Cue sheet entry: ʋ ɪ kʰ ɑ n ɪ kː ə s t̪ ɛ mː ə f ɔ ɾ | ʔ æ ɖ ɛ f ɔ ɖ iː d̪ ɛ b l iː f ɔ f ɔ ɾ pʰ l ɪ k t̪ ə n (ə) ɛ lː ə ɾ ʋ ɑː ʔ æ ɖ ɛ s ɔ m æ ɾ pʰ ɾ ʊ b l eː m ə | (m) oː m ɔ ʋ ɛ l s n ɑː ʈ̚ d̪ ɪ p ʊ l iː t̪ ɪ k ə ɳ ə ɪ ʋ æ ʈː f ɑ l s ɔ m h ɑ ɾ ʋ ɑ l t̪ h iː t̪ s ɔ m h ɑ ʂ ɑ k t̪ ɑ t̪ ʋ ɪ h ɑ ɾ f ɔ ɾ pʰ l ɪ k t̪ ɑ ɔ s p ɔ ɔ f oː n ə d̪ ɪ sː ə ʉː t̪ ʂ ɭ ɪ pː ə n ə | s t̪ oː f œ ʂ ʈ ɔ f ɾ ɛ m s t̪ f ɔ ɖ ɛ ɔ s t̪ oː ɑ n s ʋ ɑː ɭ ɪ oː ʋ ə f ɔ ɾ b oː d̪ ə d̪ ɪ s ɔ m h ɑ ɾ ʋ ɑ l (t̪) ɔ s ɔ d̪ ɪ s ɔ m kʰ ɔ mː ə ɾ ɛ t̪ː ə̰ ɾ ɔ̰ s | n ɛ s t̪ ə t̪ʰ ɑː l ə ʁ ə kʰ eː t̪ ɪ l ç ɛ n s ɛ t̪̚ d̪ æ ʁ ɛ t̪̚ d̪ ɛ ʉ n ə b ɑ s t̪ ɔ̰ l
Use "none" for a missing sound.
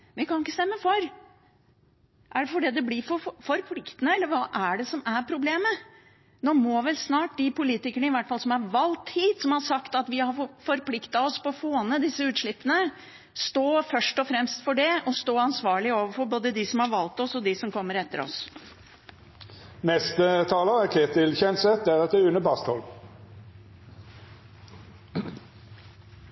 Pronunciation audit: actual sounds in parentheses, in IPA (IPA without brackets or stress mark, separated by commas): ə, n, t̪